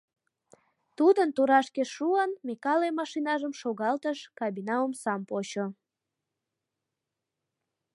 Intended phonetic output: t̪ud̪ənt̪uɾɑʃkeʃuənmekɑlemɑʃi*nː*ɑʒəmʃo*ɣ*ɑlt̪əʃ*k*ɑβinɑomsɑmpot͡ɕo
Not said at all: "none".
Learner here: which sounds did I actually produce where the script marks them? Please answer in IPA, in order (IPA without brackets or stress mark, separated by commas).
n, ɣ, k